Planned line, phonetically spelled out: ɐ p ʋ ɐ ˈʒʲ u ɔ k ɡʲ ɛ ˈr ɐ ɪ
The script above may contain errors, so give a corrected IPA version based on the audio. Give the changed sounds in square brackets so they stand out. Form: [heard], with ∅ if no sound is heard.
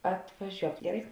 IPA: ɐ [t] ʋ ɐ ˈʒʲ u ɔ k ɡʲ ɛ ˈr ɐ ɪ